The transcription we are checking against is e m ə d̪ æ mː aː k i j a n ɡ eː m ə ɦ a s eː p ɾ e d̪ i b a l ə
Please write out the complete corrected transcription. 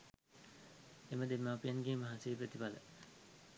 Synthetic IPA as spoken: e m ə d̪ e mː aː p i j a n ɡ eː m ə ɦ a s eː p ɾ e t̪ i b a l ə